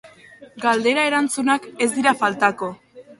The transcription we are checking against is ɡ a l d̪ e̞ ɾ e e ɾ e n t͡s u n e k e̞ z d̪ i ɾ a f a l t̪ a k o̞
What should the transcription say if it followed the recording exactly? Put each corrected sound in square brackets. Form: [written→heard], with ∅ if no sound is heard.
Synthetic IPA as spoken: ɡ a l d̪ e̞ ɾ [e→a] e ɾ [e→a] n t͡s u n [e→a] k e̞ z d̪ i ɾ a f a l t̪ a k o̞